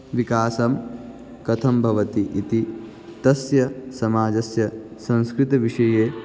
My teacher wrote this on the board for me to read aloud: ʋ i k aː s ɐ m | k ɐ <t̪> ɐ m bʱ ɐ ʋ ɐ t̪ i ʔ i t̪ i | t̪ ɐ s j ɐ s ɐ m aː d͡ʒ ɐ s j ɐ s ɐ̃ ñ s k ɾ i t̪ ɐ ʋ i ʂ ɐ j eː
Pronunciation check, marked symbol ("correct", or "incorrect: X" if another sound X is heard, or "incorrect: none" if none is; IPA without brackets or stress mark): incorrect: t̪ʰ